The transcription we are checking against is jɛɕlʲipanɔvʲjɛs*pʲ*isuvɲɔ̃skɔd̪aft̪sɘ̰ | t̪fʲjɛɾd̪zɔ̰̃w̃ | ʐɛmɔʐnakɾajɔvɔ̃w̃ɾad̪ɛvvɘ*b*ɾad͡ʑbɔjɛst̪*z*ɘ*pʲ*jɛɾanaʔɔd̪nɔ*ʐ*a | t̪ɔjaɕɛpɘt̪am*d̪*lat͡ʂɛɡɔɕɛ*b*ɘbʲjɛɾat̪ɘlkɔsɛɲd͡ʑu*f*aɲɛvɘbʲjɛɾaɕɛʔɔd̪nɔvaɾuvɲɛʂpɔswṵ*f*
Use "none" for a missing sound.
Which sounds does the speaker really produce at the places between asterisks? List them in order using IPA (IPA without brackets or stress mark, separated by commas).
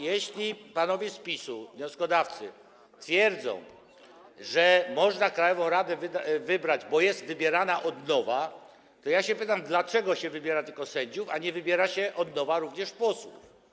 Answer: pʲ, b, v, bʲ, v, d̪, v, f, f